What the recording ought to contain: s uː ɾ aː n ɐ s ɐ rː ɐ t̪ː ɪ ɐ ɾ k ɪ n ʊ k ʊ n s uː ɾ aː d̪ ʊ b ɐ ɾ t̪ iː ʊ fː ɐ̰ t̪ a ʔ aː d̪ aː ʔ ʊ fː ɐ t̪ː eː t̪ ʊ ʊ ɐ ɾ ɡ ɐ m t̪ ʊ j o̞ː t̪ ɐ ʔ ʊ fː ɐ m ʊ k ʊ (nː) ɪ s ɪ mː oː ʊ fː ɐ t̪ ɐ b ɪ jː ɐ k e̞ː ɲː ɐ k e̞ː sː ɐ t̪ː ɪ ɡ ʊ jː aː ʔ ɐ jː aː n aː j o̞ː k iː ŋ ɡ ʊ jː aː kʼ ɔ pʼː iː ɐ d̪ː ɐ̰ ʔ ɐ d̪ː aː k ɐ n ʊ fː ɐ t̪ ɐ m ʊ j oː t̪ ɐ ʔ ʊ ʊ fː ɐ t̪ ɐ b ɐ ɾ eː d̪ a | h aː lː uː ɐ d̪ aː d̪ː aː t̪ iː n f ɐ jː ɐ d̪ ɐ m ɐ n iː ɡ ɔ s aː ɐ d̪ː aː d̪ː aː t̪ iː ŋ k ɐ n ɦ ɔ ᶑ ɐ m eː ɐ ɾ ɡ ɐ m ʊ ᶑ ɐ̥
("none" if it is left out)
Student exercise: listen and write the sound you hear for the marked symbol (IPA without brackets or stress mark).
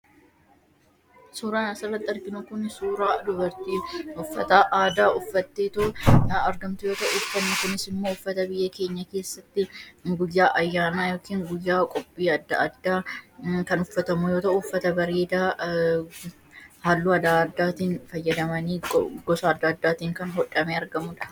n